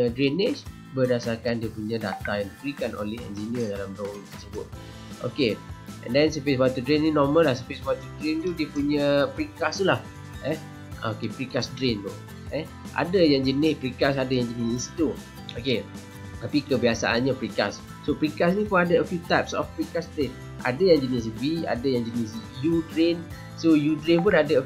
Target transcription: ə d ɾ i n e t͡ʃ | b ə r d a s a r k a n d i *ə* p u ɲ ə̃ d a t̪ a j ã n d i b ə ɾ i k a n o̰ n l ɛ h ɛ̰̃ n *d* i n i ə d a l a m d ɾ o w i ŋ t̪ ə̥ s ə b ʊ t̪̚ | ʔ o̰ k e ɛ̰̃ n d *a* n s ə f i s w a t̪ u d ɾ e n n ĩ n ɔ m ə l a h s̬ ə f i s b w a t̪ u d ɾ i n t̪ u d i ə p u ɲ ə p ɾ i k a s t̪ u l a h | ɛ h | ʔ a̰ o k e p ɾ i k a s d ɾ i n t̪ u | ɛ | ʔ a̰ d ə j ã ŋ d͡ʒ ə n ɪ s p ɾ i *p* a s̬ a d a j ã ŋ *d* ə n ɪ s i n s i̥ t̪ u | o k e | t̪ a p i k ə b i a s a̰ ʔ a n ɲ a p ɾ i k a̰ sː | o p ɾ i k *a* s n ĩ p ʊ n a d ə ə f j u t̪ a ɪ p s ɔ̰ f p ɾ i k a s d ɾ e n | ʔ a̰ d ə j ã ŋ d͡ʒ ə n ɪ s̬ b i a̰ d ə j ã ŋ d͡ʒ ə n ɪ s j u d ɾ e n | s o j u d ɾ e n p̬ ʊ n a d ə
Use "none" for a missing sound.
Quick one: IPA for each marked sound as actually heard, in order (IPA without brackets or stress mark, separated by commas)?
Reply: ə, d͡ʒ, ɛ, k, d͡ʒ, a